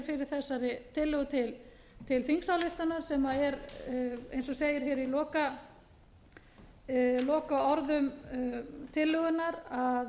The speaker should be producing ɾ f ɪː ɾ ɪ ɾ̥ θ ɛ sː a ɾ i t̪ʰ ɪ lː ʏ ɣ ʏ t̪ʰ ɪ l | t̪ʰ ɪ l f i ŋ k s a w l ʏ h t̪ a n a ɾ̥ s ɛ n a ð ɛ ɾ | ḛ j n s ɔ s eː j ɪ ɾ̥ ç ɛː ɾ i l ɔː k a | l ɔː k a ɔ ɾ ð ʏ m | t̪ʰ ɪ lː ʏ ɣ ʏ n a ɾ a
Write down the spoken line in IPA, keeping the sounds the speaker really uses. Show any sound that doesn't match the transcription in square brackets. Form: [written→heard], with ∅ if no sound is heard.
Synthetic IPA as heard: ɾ f [ɪː→ɪ] ɾ ɪ ɾ̥ θ ɛ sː a ɾ [i→ɪ] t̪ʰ ɪ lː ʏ ɣ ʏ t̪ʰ ɪ l | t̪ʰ ɪ l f i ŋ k s a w l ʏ h t̪ a n a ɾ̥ s ɛ [n→m] a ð ɛ ɾ | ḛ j n s ɔ s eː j ɪ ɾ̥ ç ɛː ɾ i l ɔː k a | l ɔː k a ɔ ɾ ð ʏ m | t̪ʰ ɪ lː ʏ ɣ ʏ n a ɾ a